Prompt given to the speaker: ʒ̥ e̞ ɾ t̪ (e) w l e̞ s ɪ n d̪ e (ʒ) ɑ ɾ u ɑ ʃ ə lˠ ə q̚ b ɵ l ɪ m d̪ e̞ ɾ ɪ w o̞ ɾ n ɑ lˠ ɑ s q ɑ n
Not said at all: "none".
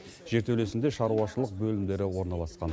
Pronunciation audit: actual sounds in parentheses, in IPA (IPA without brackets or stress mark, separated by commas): e, ʃ